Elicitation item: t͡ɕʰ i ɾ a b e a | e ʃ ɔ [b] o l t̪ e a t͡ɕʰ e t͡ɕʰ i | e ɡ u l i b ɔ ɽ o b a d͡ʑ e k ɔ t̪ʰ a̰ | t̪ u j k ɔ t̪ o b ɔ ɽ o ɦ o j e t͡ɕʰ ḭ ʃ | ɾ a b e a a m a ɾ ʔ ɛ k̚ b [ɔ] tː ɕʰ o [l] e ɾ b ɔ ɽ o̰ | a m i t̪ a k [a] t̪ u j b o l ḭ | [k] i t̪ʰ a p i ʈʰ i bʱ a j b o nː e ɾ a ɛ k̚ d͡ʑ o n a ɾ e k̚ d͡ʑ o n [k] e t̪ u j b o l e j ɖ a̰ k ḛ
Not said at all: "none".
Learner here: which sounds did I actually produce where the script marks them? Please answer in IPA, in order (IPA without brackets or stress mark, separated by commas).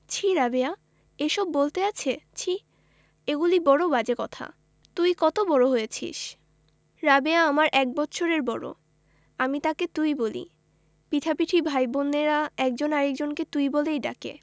bː, ɔ, ɾ, e, p, k